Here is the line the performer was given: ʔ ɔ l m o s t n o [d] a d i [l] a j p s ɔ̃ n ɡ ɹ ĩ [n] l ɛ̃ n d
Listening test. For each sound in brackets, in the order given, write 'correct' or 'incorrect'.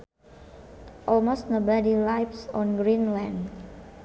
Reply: incorrect: b, correct, correct

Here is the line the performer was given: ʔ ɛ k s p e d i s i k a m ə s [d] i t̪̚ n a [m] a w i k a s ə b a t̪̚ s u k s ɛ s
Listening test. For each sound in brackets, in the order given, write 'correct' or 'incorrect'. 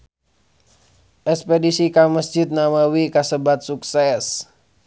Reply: incorrect: d͡ʒ, correct

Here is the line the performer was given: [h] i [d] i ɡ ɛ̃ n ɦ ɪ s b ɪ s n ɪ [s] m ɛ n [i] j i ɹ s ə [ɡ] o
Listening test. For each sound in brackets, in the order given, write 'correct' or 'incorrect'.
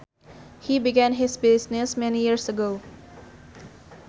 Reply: correct, incorrect: b, correct, correct, correct

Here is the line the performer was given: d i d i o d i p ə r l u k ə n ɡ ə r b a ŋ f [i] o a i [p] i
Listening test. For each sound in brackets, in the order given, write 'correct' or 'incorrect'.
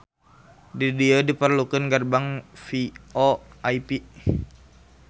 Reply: correct, correct

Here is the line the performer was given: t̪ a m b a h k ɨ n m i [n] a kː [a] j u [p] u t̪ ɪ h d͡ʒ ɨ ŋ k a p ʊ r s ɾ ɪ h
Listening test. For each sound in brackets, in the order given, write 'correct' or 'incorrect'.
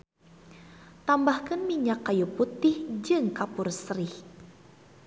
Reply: incorrect: ɲ, correct, correct

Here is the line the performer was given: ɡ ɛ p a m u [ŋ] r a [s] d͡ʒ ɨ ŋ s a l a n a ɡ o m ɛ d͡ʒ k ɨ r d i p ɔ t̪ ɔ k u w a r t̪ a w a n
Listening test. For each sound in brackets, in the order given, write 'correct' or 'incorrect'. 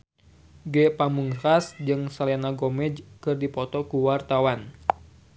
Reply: correct, correct

